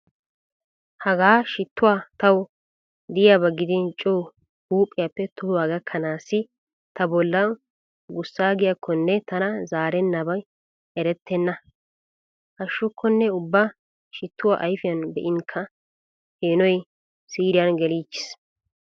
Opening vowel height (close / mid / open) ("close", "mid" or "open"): open